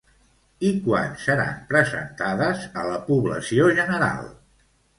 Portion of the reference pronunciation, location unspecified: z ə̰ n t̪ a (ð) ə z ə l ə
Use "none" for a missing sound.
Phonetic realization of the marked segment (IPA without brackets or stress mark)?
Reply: ð